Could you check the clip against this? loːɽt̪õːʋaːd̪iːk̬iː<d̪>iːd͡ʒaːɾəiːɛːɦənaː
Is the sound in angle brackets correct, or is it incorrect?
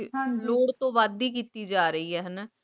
incorrect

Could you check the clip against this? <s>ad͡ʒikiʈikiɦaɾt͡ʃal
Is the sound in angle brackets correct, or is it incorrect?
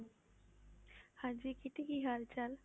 incorrect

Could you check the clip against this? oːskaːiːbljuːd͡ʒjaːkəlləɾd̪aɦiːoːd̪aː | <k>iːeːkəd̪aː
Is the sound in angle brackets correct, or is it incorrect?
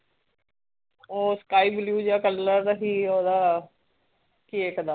correct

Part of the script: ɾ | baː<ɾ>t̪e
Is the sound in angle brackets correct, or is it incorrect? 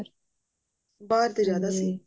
correct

